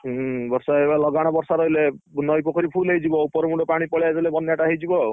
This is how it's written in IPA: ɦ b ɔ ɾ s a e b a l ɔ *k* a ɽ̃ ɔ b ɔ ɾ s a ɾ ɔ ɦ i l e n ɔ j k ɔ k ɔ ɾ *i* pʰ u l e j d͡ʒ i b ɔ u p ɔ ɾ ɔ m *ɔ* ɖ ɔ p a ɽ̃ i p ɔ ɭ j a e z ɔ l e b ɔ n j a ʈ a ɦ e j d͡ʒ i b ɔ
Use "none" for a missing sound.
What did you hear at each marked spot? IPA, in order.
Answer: ɡ, i, u

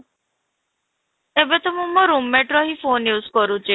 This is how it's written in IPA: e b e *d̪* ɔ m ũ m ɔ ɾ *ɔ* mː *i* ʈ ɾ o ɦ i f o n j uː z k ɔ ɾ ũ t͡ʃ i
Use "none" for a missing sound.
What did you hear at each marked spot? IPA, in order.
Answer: t̪, u, e

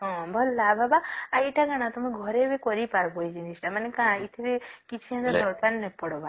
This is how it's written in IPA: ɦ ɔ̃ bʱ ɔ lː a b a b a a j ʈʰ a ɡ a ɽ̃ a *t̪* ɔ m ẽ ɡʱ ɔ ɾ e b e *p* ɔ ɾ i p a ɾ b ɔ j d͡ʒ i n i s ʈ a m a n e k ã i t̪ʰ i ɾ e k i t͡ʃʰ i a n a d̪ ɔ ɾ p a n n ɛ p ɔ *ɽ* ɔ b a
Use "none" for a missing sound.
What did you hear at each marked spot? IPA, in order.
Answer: t̪, k, ɽ

